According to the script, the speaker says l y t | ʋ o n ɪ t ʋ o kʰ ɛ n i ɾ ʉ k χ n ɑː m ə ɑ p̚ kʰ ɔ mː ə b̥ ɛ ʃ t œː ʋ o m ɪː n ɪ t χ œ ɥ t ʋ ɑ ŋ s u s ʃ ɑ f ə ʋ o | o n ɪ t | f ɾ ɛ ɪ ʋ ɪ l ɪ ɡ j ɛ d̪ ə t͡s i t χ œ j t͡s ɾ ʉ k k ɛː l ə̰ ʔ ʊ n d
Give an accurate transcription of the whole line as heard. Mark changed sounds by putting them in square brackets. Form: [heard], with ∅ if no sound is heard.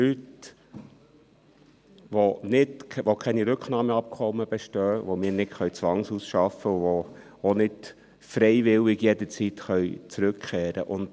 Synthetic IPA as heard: l y t | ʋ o n ɪ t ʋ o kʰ ɛ n i ɾ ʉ k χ n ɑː m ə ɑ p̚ kʰ ɔ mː ə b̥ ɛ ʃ t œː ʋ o m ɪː n ɪ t χ œ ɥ [t͡s] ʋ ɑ ŋ s u s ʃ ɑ f ə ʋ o | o n ɪ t | f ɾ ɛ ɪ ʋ ɪ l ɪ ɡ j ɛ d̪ ə t͡s i t χ œ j t͡s ɾ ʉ k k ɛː [ɾ] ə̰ ʔ ʊ n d